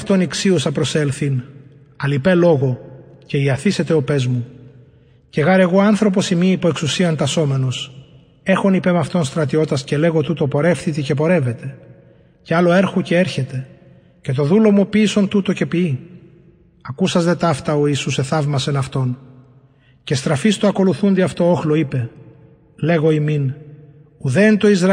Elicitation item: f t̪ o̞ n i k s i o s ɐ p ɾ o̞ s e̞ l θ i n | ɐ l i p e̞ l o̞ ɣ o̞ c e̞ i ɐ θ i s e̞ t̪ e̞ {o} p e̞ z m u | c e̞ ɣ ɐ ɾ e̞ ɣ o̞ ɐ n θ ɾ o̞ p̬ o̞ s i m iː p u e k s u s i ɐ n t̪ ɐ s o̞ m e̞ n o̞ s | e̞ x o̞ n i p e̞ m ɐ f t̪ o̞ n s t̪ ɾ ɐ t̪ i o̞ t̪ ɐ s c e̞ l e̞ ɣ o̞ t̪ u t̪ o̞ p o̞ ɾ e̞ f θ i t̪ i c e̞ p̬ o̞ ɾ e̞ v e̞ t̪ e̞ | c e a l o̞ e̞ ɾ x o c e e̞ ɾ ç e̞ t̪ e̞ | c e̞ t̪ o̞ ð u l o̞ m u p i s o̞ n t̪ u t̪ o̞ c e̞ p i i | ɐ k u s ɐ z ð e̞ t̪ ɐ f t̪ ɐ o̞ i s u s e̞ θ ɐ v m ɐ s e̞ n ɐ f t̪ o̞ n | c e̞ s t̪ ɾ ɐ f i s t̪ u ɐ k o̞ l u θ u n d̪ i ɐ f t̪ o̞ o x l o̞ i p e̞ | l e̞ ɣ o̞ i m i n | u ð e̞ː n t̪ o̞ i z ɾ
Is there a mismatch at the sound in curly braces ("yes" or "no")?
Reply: no